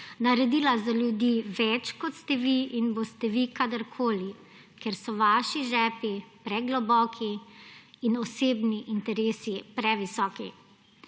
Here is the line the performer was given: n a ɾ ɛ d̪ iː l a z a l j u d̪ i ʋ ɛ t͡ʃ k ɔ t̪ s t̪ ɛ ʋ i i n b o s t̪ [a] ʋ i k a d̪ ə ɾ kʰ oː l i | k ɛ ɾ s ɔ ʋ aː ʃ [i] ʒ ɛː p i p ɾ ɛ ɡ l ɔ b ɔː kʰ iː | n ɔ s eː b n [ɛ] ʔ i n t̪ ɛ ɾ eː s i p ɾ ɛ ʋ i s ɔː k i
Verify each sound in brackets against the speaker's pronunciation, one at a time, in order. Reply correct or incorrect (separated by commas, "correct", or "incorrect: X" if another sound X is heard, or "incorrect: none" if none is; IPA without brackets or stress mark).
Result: incorrect: ɛ, correct, incorrect: i